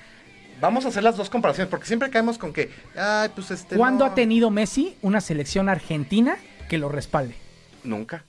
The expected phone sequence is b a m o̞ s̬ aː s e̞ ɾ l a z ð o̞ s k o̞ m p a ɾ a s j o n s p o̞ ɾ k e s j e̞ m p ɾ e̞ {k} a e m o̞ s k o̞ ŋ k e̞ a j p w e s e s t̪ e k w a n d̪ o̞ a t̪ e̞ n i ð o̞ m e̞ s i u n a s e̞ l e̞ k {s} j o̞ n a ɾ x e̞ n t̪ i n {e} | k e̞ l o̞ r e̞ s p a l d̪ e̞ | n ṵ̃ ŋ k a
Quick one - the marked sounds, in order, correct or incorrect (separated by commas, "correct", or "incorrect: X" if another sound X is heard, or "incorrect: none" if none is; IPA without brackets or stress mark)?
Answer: correct, correct, incorrect: a